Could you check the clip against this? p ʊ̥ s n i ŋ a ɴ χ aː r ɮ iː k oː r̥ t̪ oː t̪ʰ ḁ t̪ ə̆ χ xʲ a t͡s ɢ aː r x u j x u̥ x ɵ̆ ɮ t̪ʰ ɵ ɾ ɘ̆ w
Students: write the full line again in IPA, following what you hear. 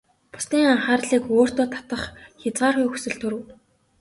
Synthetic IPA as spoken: p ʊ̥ s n iː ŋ a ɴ χ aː r ɮ iː k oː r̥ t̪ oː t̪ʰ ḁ t̪ ə̆ χ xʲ a t͡s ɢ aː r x u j x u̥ s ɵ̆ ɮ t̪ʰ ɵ ɾ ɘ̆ w